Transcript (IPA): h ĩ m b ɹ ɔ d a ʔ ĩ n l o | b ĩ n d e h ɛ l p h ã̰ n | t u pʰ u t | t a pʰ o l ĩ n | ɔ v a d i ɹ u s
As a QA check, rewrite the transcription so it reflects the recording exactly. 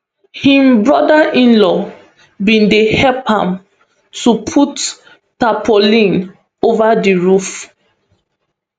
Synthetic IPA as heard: h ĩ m b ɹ ɔ d a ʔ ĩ n l ɔ | b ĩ n d e h ɛ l p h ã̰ m | t u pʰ u t | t a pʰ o l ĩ n | o v a d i ɹ u f